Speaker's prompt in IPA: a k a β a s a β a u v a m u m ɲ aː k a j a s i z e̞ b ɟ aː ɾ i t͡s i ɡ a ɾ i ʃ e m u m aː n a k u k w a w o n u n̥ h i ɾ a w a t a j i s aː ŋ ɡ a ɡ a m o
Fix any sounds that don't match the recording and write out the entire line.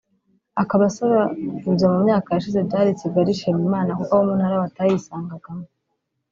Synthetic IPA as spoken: a k a β a s a β a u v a m u m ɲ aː k a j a ʃ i z e̞ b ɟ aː ɾ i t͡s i ɡ a ɾ i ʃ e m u m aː n a k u k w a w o m u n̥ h a ɾ a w a t a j i s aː ŋ ɡ a ɡ a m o